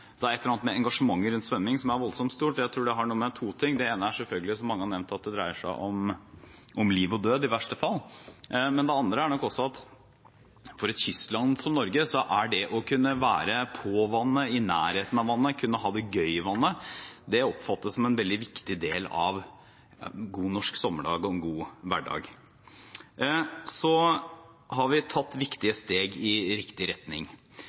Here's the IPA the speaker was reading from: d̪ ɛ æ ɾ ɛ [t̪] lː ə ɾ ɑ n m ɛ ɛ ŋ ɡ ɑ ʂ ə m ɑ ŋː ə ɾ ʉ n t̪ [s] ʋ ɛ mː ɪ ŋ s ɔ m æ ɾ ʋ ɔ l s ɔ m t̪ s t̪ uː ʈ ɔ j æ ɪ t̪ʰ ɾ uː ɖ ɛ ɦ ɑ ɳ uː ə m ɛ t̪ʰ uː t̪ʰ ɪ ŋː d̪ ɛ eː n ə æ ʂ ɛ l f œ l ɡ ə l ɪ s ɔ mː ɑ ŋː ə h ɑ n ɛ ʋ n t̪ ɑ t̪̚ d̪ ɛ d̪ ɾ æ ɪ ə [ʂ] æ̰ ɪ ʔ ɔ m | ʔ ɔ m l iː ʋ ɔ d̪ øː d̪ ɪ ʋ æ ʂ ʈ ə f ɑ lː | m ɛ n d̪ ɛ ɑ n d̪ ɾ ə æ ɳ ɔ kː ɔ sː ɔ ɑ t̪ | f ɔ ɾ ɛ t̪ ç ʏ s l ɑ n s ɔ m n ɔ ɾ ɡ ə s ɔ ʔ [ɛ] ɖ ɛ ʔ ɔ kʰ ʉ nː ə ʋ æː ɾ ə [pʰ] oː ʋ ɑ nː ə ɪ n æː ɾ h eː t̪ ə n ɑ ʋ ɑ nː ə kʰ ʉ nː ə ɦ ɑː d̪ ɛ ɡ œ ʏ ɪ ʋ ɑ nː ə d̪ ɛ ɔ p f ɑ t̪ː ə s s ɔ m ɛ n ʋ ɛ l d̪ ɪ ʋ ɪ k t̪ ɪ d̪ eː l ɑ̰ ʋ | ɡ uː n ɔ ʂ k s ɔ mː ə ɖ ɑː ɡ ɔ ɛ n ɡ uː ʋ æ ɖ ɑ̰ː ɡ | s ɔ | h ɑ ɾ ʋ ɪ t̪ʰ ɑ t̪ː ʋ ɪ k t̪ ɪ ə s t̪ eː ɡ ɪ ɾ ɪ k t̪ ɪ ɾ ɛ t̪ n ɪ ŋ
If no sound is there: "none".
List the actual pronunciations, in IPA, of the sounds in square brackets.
t̪, s, ʂ, æ, pʰ

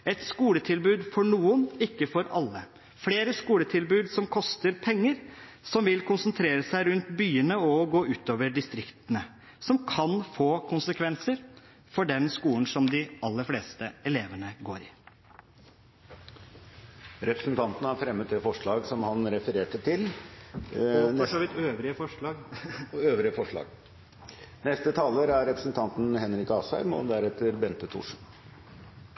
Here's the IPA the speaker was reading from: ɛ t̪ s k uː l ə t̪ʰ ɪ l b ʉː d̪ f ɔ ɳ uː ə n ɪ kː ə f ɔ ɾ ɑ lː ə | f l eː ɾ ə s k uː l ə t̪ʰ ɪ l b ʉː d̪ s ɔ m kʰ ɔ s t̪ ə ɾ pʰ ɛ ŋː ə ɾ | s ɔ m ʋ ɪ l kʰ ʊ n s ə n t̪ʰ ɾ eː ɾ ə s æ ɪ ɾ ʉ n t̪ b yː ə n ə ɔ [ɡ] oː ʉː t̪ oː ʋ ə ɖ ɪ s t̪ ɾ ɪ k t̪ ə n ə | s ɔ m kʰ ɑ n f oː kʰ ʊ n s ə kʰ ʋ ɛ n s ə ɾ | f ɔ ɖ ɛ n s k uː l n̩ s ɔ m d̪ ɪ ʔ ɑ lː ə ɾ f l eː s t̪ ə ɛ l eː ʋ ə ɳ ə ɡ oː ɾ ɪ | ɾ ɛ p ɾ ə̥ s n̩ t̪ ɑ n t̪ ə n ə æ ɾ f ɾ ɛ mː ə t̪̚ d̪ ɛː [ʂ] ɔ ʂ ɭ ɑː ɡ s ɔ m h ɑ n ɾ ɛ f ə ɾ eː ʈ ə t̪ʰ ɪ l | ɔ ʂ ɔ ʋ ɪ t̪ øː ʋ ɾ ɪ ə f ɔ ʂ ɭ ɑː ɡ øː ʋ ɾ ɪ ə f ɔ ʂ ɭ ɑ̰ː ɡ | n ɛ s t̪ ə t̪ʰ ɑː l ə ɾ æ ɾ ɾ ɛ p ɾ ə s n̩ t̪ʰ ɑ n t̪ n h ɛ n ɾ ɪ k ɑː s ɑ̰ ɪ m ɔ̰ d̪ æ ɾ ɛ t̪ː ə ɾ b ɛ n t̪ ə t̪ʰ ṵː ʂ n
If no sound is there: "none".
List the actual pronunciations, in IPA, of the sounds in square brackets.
ɡ, f

